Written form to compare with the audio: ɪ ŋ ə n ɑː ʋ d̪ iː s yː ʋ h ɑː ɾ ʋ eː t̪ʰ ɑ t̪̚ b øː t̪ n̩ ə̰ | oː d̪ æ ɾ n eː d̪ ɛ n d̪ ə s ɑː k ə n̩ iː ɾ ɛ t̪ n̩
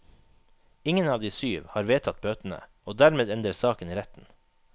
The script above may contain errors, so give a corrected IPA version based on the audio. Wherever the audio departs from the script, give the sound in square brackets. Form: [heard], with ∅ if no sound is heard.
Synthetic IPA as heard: ɪ ŋ ə n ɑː ʋ d̪ iː s yː ʋ h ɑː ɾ ʋ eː t̪ʰ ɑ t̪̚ b øː t̪ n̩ ə̰ | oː d̪ æ ɾ [m] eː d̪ ɛ n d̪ ə s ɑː k ə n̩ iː ɾ ɛ t̪ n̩